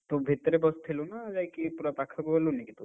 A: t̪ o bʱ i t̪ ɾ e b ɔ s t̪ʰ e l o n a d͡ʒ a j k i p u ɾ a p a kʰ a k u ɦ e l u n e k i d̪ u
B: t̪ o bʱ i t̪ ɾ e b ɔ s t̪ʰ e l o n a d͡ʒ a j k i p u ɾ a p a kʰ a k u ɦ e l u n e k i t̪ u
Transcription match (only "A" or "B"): B